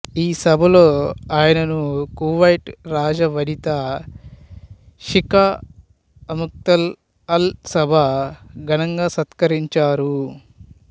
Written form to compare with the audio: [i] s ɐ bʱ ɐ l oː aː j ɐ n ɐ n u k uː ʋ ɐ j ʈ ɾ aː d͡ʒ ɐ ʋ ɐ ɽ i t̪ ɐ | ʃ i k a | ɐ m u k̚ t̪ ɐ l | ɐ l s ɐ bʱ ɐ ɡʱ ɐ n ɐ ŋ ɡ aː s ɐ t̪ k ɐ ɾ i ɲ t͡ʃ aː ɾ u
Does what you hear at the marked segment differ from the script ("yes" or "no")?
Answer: yes